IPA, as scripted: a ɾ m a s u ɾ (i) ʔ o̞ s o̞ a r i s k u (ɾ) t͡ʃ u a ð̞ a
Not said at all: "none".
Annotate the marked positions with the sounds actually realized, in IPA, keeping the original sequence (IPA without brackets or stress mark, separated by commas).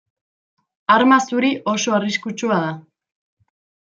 i, none